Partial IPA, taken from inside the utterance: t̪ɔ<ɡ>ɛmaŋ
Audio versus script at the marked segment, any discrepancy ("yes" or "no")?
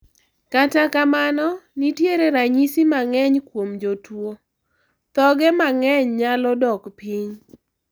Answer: no